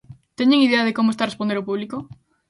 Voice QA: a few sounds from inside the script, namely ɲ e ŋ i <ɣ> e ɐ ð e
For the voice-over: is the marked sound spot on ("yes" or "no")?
no